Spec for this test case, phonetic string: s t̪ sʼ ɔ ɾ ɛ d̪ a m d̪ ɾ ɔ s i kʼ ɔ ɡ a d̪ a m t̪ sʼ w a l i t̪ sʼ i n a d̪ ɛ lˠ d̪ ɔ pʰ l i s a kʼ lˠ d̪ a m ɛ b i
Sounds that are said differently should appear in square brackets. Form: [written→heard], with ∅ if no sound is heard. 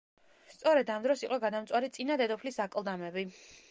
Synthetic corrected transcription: s t̪ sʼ ɔ ɾ ɛ d̪ a m d̪ ɾ ɔ s i [kʼ→qʼ] ɔ ɡ a d̪ a m t̪ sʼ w a [l→ɾ] i t̪ sʼ i n a d̪ ɛ [lˠ→∅] d̪ ɔ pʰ l i s a kʼ lˠ d̪ a m ɛ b i